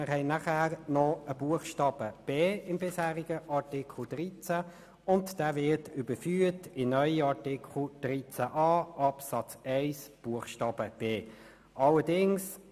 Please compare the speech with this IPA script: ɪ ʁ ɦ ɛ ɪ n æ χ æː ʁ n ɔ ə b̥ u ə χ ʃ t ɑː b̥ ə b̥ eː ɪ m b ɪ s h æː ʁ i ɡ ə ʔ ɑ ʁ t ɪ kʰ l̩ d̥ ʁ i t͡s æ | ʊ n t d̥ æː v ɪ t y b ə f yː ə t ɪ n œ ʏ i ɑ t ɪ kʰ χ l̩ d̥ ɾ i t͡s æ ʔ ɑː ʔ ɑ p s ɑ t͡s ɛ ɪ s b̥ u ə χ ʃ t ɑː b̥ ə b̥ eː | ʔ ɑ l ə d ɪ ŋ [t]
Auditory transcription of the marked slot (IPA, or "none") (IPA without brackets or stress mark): s